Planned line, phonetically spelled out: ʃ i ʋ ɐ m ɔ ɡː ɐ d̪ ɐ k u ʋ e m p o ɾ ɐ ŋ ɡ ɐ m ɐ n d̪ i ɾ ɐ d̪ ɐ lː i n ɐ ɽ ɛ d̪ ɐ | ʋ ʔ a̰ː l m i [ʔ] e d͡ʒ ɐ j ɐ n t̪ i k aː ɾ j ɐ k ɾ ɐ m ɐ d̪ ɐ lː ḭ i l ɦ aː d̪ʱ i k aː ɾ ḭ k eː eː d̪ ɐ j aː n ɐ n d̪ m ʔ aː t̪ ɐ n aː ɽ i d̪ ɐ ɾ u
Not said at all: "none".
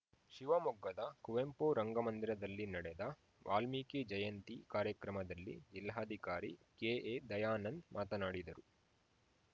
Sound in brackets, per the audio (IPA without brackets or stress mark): k